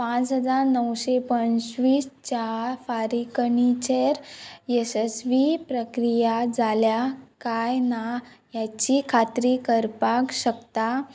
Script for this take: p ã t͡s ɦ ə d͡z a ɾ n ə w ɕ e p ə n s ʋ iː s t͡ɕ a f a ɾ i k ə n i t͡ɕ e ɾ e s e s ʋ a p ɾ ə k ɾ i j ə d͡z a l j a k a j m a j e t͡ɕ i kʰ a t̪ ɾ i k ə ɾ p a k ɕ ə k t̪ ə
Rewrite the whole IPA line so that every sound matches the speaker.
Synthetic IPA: p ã t͡s ɦ ə d͡z a ɾ n ə w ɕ e p ə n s ʋ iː s t͡ɕ a f a ɾ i k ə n i t͡ɕ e ɾ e s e s ʋ i p ɾ ə k ɾ i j a d͡z a l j a k a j n a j a t͡ɕ i kʰ a t̪ ɾ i k ə ɾ p a k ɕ ə k t̪ a